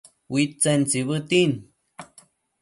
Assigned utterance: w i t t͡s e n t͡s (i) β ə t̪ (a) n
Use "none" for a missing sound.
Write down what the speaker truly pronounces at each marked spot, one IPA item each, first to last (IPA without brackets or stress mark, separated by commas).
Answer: i, i